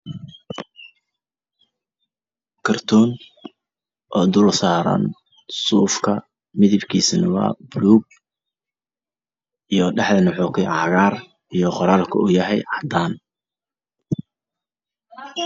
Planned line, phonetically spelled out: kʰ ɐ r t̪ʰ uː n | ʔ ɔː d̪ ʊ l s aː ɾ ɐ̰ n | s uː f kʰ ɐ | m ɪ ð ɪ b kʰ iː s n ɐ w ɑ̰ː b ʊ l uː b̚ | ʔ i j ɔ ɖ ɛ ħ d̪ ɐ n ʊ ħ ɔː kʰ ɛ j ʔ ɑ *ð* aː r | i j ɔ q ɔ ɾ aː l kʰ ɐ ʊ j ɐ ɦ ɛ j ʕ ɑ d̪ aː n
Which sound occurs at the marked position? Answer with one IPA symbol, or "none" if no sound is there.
ɣ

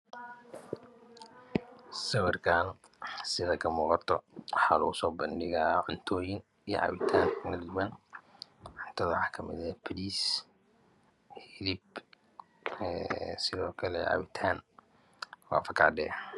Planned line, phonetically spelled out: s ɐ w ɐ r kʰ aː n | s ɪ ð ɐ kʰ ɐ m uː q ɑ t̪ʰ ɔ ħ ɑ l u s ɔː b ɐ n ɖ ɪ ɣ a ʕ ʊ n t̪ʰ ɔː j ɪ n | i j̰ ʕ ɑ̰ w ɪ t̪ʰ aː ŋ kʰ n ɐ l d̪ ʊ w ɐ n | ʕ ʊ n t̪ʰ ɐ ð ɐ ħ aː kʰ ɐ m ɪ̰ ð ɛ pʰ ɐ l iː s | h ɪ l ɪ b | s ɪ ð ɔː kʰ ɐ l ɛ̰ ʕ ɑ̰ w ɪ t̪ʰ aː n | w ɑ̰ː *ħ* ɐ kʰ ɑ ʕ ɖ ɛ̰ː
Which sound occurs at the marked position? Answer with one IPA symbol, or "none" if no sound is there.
f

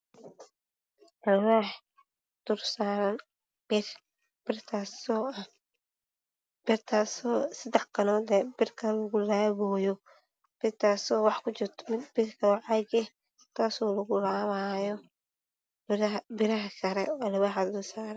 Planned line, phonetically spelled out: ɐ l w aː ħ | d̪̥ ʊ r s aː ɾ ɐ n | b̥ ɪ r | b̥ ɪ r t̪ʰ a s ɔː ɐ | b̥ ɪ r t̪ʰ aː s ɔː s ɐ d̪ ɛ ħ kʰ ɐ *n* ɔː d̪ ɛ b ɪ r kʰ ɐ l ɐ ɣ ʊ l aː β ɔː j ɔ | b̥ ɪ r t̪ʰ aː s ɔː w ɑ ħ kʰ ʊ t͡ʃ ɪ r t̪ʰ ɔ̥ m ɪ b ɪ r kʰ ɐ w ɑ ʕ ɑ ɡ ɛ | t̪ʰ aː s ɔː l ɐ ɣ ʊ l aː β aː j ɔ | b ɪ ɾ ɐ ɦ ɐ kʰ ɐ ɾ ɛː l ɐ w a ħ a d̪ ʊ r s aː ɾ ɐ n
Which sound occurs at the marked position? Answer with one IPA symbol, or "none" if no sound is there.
n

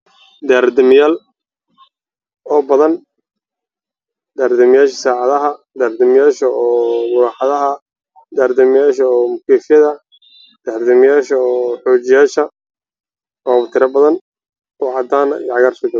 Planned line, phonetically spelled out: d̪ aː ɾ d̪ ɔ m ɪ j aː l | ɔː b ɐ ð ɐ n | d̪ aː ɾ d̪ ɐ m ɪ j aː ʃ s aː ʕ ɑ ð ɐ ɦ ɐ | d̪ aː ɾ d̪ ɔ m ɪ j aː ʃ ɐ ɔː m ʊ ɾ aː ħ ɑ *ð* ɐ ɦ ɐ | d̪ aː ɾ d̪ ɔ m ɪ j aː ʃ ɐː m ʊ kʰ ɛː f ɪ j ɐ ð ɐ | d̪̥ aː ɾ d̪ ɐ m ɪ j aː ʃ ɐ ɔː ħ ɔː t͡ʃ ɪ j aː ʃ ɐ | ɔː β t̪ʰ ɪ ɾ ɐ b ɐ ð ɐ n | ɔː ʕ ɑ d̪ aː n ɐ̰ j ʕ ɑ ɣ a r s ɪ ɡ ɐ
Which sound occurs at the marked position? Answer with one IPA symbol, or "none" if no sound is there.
ð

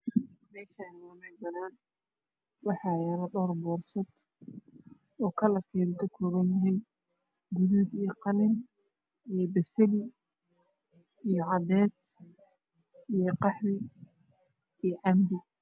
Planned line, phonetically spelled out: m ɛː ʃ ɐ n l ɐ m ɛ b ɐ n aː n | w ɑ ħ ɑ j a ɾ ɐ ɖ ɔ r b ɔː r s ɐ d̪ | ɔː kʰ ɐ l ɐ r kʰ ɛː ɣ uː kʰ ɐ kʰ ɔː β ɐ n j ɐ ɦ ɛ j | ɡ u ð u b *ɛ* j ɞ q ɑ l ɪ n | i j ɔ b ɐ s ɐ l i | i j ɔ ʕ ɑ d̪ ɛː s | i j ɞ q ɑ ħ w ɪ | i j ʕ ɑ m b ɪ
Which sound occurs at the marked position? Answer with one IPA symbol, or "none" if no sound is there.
i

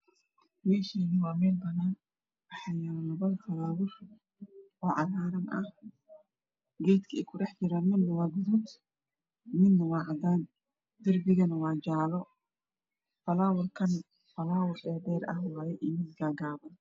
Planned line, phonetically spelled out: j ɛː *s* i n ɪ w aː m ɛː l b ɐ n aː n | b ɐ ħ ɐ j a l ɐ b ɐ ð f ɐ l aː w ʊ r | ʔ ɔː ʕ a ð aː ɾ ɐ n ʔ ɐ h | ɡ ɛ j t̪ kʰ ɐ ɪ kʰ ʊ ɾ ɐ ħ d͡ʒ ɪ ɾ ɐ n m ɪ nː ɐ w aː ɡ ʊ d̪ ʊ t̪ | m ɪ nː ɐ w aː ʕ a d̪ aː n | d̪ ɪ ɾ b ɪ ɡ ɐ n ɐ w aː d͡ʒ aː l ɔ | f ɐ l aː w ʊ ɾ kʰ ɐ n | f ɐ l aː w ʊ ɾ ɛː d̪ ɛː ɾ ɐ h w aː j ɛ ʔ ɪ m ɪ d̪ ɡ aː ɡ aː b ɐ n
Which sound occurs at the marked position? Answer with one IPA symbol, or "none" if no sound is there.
ʃ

